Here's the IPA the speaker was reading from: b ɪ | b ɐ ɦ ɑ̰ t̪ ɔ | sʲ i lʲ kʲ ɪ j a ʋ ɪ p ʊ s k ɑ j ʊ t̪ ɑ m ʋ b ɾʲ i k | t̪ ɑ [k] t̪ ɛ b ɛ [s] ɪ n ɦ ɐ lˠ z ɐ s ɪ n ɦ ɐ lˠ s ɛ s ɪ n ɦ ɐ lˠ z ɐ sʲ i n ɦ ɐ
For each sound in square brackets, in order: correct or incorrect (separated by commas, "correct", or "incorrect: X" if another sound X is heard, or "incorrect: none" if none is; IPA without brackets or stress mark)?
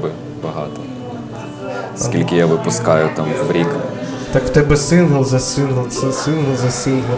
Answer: correct, correct